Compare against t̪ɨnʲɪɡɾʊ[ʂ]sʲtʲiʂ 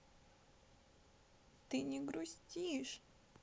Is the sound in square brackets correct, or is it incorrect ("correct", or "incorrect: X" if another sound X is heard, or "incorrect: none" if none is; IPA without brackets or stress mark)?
incorrect: none